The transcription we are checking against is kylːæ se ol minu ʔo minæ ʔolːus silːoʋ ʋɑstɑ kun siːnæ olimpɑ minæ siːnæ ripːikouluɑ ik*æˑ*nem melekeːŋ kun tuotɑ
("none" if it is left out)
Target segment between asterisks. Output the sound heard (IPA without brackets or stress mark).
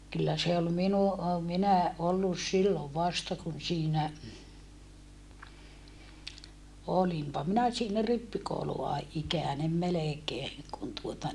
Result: æˑ